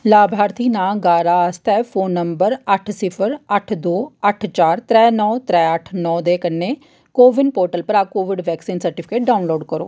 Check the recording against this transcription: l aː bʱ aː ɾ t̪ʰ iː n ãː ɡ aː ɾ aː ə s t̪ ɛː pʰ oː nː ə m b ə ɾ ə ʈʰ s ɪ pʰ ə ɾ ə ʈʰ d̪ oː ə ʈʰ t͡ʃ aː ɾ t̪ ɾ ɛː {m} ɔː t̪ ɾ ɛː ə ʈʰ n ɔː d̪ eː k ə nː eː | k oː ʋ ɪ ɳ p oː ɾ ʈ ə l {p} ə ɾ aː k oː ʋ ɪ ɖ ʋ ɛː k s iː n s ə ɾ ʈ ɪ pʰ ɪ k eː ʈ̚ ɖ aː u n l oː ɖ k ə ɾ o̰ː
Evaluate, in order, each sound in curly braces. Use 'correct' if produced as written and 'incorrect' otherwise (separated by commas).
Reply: incorrect, correct